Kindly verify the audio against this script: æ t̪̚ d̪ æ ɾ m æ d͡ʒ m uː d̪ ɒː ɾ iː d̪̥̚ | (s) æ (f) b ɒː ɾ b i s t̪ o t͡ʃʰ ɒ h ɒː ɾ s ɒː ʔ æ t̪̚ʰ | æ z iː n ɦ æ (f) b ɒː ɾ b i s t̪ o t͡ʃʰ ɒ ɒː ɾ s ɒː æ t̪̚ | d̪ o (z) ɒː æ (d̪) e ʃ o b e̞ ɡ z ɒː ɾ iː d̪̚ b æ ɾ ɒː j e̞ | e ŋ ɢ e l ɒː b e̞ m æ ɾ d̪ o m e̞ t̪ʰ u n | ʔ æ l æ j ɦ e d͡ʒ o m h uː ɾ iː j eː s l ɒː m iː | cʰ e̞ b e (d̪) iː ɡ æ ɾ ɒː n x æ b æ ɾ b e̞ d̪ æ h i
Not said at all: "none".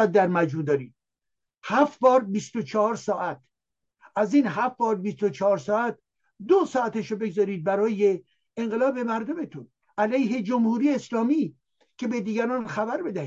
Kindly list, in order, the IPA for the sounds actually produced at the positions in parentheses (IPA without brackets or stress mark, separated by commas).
h, f, f, s, t̪, d̪